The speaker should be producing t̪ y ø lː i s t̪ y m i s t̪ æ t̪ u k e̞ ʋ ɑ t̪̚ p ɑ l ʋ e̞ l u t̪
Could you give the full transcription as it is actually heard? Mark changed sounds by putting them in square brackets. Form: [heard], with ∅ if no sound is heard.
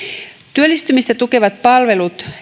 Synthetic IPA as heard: t̪ y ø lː i s t̪ y m i s t̪ æ t̪ u k e̞ ʋ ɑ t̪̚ p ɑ l ʋ e̞ l u t̪

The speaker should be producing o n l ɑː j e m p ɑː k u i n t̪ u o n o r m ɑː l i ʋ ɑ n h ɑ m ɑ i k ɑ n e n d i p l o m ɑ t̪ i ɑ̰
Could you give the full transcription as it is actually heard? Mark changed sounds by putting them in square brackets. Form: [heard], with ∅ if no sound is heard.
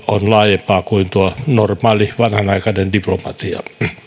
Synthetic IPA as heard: o n l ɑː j e m p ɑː k u i n t̪ u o n o r m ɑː l i ʋ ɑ n h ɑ [n] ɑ i k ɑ n e n d i p l o m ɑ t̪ i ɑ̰

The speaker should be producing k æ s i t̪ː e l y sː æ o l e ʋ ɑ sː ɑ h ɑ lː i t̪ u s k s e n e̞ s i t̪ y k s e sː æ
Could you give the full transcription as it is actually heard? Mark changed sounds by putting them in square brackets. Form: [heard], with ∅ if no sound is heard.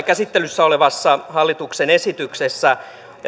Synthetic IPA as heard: k æ s i t̪ː e l y sː æ o l e ʋ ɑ sː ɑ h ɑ lː i t̪ u [∅] k s e n e̞ s i t̪ y k s e sː æ

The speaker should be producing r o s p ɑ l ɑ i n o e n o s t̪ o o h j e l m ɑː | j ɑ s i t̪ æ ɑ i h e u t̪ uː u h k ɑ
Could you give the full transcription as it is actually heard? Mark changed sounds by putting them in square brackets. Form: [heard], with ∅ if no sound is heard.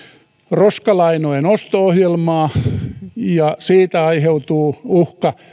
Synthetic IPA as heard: r o s [k] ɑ l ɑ i n o e n o s t̪ o o h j e l m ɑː | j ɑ s [iː] t̪ æ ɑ i h e u t̪ uː u h k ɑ

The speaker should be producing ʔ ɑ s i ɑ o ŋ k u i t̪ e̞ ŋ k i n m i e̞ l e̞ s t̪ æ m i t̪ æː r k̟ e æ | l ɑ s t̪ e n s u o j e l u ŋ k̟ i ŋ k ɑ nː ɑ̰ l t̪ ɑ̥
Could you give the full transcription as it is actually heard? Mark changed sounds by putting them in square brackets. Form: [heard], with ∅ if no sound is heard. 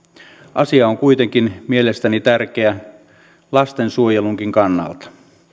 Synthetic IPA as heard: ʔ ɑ s i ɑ o ŋ k u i t̪ e̞ ŋ k i n m i e̞ l e̞ s t̪ æ [n] i t̪ [æ] r k̟ e æ | l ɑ s t̪ e n s u o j e l u ŋ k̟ i ŋ k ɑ nː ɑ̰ l t̪ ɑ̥

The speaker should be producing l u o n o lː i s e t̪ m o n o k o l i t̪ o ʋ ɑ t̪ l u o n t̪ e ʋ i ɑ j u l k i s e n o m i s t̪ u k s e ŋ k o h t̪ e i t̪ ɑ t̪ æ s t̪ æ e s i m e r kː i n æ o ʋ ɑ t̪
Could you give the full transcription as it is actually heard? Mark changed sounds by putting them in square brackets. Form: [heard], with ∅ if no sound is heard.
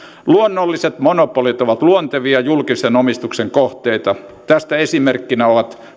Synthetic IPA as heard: l u o [nː] o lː i s e t̪ m o n o [p] o l i t̪ o ʋ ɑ t̪ l u o n t̪ e ʋ i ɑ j u l k i s e n o m i s t̪ u k s e ŋ k o h t̪ e i t̪ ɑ t̪ æ s t̪ æ e s i m e r kː i n æ o ʋ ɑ t̪

